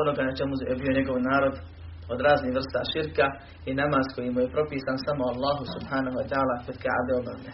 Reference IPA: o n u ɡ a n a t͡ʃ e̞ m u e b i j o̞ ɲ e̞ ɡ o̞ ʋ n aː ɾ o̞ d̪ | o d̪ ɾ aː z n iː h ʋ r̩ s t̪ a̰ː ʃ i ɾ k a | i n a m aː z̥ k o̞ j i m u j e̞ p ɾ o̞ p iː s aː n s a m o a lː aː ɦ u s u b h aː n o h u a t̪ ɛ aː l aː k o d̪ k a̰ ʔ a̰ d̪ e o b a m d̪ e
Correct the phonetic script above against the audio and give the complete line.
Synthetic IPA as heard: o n o ɡ a n a t͡ʃ e̞ m u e b i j o̞ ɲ e̞ ɡ o̞ ʋ n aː ɾ o̞ d̪ | o d̪ ɾ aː z n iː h ʋ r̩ s t̪ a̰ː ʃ i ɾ k a | i n a m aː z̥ k o̞ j i m u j e̞ p ɾ o̞ p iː s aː n s a m o a lː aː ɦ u s u b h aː n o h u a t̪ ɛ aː l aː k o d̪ k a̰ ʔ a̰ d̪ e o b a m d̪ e